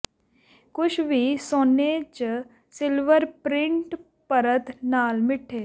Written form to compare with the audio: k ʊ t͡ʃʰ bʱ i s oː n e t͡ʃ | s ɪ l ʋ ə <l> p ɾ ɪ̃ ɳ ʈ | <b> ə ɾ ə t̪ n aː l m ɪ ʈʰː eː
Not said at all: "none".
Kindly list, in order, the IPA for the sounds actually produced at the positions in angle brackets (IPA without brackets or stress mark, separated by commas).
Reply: ɾ, p